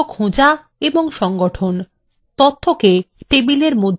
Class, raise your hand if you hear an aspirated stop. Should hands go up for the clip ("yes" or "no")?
yes